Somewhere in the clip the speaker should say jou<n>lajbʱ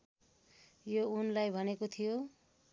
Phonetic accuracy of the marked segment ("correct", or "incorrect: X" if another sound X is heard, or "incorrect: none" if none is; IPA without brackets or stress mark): correct